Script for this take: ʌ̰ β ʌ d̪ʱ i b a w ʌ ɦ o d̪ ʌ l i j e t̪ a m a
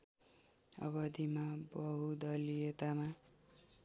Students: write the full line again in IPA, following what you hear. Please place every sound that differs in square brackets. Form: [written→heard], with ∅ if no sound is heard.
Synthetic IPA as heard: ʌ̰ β ʌ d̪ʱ i [b→m] a [w→b] ʌ ɦ [o→u] d̪ ʌ l i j e t̪ a m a